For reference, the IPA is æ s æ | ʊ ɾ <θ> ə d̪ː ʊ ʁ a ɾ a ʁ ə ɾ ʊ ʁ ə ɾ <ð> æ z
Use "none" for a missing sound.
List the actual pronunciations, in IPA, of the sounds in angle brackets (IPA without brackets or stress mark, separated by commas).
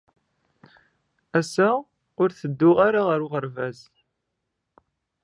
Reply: θ, v